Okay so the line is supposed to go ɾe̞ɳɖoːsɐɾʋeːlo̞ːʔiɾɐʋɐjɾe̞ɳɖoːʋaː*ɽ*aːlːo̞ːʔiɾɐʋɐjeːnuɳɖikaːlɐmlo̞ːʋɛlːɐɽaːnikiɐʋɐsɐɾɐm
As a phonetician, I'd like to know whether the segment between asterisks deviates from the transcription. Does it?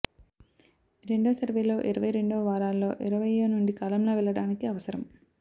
yes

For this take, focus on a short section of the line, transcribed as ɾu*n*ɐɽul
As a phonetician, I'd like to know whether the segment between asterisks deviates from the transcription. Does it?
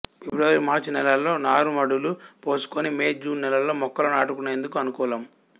yes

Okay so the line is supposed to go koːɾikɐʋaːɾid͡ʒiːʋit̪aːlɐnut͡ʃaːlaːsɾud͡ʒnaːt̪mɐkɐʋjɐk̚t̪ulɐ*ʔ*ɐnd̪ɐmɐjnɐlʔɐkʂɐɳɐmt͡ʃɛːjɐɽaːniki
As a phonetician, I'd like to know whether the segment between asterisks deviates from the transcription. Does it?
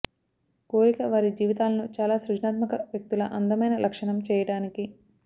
no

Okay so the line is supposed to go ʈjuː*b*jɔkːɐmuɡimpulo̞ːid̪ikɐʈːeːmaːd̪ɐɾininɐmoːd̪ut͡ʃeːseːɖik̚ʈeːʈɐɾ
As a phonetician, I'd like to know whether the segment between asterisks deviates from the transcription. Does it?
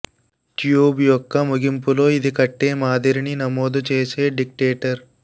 no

